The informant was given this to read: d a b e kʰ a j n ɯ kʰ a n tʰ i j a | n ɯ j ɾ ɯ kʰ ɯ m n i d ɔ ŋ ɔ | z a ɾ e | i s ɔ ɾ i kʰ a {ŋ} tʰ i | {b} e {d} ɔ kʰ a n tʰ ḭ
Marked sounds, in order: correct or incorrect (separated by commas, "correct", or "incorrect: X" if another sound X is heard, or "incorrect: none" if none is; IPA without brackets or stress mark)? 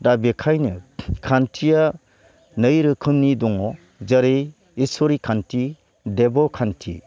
incorrect: n, incorrect: d, incorrect: b